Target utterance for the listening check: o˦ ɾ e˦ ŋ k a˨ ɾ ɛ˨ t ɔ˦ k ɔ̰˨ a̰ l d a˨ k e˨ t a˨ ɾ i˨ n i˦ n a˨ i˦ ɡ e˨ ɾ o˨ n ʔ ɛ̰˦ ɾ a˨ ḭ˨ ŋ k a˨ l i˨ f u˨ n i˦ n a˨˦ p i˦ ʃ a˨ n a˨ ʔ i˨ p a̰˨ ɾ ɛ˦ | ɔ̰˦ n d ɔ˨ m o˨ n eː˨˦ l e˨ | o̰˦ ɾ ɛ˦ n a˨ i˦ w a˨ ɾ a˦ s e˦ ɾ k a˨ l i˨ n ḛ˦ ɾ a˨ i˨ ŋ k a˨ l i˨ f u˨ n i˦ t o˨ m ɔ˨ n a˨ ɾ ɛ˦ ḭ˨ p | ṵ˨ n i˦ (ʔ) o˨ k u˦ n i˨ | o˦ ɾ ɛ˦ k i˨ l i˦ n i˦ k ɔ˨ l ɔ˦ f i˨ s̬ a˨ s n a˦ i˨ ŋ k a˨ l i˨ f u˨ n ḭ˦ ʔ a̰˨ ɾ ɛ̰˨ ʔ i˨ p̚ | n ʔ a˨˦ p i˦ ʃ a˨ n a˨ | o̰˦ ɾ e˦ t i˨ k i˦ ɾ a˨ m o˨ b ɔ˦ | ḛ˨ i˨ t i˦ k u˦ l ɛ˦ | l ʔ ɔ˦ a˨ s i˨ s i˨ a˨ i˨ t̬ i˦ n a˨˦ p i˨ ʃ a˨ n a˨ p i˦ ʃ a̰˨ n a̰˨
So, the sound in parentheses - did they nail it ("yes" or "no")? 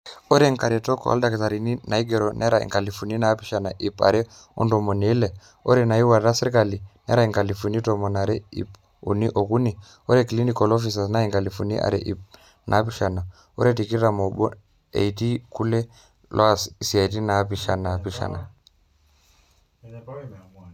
yes